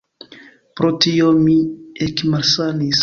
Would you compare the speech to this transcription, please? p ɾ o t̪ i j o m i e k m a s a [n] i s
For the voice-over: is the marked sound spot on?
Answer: yes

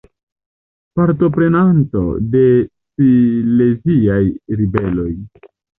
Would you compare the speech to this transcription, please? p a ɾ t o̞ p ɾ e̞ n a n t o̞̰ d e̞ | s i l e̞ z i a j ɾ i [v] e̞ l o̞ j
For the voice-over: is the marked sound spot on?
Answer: no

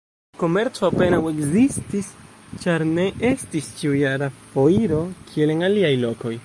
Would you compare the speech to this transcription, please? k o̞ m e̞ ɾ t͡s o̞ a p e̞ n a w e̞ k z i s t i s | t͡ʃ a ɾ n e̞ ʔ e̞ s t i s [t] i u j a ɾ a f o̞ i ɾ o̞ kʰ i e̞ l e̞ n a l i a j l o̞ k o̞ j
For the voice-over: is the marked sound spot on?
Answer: no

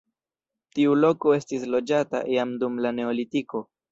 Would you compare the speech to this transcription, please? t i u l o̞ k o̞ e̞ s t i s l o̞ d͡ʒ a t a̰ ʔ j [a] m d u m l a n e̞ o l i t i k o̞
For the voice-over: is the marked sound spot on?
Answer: yes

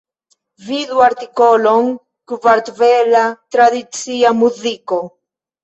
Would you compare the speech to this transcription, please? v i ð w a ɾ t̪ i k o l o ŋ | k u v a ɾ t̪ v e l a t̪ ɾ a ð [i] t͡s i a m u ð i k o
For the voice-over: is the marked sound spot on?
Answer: yes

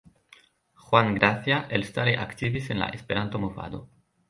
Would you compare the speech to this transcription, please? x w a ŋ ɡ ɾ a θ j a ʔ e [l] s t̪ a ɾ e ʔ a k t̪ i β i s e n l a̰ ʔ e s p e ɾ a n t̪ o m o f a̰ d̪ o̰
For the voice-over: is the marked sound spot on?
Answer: yes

